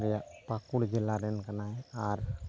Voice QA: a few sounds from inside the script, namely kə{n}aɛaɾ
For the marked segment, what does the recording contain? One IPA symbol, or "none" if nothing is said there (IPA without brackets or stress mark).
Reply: n